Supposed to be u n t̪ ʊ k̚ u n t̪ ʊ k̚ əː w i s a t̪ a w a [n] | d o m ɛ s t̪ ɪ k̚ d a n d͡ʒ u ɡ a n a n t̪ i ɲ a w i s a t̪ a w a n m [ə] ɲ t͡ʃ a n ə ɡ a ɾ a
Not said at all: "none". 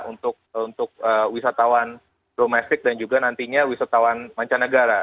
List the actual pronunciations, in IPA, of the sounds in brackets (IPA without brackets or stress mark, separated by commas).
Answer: n, a